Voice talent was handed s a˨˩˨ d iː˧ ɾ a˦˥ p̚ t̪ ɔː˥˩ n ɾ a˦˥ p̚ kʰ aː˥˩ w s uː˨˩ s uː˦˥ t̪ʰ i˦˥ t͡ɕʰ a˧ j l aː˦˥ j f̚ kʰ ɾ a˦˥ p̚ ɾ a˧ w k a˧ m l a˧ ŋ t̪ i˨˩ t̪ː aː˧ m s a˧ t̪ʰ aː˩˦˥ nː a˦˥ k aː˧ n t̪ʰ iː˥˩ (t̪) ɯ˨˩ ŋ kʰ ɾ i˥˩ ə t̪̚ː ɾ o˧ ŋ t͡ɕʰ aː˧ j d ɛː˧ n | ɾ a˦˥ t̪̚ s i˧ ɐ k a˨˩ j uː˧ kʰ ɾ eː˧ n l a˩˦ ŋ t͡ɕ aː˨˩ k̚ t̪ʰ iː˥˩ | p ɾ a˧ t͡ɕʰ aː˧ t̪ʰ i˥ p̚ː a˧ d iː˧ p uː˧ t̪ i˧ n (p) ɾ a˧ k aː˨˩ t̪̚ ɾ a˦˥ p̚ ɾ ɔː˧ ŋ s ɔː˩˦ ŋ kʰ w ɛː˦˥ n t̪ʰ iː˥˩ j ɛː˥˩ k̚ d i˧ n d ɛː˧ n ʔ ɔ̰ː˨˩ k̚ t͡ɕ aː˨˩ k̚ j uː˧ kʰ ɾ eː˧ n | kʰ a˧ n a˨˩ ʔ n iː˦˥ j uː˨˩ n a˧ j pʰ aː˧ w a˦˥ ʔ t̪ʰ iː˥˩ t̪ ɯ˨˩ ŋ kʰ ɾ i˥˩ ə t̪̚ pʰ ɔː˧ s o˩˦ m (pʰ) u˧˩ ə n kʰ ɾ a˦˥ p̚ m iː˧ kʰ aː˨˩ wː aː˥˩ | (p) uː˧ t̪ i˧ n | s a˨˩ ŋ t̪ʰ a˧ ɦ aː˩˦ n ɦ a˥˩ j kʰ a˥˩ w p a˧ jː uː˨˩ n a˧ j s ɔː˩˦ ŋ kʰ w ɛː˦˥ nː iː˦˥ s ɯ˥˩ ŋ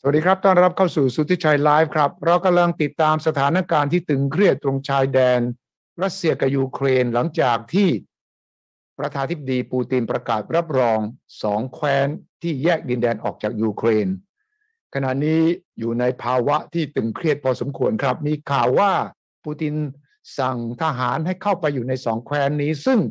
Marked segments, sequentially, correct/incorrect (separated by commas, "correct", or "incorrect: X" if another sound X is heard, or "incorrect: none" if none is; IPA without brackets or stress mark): correct, correct, incorrect: kʰ, correct